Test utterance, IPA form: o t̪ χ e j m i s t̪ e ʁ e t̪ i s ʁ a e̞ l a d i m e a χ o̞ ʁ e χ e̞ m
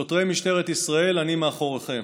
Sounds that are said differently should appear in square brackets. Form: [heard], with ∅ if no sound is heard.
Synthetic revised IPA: o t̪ [ʁ] e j m i [ʃ] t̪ e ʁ e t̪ i s ʁ a e̞ l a [n] i m e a χ o̞ ʁ e χ e̞ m